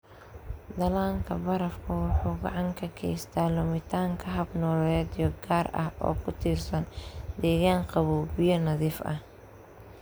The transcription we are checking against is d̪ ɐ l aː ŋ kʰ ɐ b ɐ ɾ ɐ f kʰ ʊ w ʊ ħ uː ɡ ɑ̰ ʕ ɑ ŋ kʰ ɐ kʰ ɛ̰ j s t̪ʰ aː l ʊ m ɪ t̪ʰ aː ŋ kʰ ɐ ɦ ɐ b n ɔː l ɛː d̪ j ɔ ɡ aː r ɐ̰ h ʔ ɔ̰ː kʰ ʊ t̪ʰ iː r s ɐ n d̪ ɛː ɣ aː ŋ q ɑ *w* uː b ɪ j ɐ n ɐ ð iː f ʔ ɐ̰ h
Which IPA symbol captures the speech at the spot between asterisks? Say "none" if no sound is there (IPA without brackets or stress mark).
β